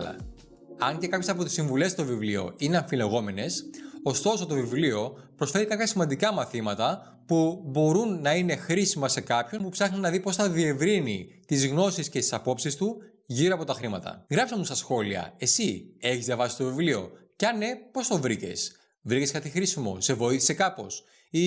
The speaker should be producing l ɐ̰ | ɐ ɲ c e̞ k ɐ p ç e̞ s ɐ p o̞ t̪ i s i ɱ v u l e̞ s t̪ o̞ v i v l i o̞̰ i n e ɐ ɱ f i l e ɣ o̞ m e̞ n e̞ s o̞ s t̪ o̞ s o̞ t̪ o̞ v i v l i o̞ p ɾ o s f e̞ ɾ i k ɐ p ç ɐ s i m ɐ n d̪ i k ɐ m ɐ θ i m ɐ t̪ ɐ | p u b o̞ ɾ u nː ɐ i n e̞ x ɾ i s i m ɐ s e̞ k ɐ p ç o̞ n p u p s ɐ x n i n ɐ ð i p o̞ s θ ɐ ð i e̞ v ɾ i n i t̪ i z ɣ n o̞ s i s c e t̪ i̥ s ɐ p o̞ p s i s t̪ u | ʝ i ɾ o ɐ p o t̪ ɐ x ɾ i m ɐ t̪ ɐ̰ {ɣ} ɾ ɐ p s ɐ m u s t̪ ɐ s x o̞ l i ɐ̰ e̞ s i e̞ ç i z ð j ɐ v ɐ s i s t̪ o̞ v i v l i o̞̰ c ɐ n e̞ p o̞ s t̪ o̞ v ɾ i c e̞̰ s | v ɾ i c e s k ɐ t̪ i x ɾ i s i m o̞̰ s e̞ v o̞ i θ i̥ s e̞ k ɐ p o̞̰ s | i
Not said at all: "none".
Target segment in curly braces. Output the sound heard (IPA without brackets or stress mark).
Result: ɣ